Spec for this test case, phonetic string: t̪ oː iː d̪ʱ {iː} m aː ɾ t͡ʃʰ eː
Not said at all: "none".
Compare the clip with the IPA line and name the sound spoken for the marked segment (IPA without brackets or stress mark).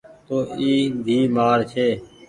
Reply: iː